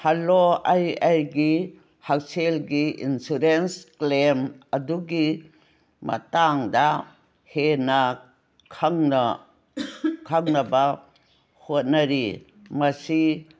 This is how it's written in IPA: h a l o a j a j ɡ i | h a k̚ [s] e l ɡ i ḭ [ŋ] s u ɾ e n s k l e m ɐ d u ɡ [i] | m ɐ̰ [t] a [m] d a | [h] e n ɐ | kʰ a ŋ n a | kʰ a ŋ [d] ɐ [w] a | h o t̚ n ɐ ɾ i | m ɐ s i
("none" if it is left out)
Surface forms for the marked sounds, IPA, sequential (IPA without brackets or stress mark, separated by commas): s, n, i, t, ŋ, h, n, b